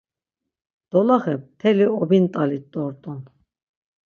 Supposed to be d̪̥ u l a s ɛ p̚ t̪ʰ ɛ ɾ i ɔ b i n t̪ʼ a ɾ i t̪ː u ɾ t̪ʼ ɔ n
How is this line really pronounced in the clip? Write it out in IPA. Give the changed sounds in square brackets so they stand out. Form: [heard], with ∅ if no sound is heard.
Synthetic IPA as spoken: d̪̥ [ɔ] l a [χ] ɛ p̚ t̪ʰ ɛ [l] i ɔ b i n t̪ʼ a [l] i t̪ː [ɔ] ɾ t̪ʼ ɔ n